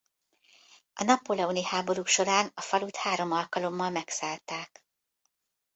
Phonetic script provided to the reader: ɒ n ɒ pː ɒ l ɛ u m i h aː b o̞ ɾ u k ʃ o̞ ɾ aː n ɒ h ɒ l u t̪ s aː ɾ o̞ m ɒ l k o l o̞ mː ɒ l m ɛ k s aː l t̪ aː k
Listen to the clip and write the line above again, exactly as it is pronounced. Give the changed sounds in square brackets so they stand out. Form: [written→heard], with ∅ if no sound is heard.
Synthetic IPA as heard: ɒ n ɒ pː [ɒ→o] l ɛ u [m→n] i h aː b o̞ ɾ u k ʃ o̞ ɾ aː n ɒ [h→f] ɒ l u t̪ [s→h] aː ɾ o̞ m ɒ l k [o→ɒ] l o̞ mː ɒ l m ɛ k s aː l t̪ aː k